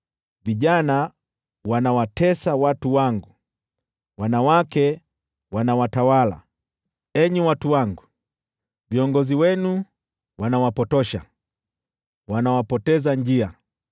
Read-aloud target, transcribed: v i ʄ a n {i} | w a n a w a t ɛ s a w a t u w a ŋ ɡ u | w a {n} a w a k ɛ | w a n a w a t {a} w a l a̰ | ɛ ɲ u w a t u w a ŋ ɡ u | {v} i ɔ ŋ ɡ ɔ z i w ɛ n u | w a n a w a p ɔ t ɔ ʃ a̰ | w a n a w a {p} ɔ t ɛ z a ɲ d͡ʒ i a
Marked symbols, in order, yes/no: no, yes, yes, yes, yes

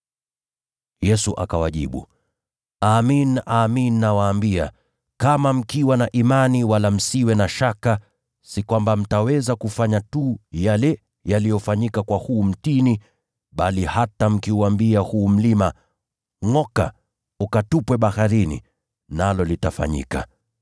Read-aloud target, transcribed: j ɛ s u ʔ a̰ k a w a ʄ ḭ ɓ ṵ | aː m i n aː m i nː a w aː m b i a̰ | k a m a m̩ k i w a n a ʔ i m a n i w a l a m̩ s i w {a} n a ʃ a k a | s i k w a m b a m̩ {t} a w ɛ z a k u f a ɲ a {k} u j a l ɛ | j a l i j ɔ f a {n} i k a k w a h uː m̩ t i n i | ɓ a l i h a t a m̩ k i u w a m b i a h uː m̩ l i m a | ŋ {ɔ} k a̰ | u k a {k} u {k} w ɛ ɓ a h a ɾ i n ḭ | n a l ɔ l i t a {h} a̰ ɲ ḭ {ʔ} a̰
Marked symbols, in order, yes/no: no, yes, no, no, yes, no, no, no, no

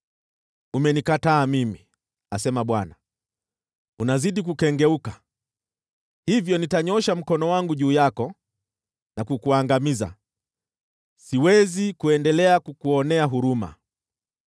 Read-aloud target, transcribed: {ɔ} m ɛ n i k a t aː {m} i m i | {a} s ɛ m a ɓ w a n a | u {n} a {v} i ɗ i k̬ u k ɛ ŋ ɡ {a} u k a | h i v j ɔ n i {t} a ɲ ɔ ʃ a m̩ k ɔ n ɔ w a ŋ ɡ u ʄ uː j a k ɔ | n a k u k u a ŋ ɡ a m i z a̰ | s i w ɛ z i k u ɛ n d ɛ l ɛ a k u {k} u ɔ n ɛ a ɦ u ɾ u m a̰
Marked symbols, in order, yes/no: no, yes, yes, yes, no, no, yes, yes

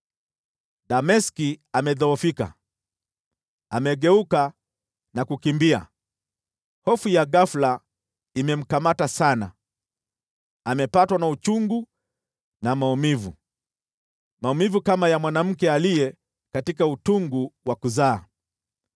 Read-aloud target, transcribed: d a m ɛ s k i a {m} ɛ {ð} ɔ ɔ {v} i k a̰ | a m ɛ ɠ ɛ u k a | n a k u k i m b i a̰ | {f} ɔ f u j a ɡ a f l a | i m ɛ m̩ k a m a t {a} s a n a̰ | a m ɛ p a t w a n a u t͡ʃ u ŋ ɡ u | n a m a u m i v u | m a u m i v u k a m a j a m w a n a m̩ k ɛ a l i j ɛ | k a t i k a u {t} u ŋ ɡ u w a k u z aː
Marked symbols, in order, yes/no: yes, yes, no, no, yes, yes

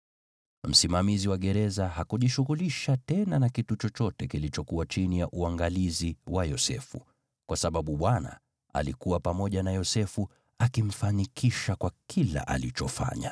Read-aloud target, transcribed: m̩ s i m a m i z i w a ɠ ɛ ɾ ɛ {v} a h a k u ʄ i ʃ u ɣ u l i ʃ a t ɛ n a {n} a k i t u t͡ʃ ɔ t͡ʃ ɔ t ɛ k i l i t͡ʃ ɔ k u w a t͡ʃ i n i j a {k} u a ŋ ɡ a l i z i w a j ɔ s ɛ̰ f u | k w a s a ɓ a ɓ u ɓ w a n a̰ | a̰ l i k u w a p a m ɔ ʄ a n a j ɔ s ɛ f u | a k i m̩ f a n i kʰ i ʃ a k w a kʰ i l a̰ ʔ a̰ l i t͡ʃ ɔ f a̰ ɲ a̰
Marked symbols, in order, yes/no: no, yes, no

